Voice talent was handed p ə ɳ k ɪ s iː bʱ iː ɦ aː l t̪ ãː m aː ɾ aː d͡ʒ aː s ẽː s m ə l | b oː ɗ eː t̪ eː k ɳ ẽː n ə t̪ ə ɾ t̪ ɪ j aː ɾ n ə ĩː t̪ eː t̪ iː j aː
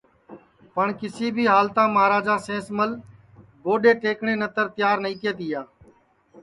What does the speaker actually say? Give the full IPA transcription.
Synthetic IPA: p ə ɳ k ɪ s iː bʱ iː ɦ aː l t̪ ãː m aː ɾ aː d͡ʒ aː s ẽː s m ə l | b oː ɗ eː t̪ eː k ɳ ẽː n ə t̪ ə ɾ t̪ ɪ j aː ɾ n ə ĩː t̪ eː t̪ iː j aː

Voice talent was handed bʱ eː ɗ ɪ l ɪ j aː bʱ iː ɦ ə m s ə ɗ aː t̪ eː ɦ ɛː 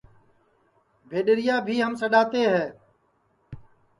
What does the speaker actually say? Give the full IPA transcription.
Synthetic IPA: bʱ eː ɗ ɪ ɾ ɪ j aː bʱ iː ɦ ə m s ə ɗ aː t̪ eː ɦ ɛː

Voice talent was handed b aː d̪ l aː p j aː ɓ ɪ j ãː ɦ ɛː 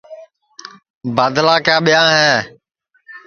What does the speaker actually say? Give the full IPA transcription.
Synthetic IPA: b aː d̪ l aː k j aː ɓ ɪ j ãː ɦ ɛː

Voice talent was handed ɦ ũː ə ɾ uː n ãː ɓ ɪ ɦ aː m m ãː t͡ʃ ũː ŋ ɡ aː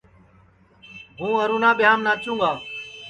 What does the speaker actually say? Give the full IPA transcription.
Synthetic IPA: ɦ ũː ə ɾ uː n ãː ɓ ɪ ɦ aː m n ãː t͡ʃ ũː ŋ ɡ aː

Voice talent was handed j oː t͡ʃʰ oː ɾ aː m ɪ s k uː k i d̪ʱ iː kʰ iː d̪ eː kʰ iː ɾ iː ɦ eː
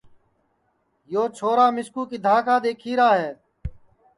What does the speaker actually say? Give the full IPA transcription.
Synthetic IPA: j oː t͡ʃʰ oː ɾ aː m ɪ s k uː k i d̪ʱ aː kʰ aː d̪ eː kʰ iː ɾ aː ɦ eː

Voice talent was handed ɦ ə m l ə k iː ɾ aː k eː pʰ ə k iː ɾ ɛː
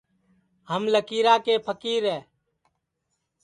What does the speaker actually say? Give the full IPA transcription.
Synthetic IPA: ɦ ə m l ə k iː ɾ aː k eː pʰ ə k iː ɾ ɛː

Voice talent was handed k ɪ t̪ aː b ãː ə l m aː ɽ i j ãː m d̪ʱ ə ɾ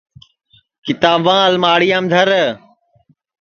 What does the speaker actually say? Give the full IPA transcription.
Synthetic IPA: k ɪ t̪ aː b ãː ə l m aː ɽ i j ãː m d̪ʱ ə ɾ

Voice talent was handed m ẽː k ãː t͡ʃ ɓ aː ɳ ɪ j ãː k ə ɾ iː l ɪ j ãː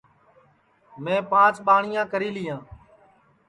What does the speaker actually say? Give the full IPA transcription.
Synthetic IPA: m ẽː p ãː t͡ʃ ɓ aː ɳ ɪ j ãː k ə ɾ iː l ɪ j ãː

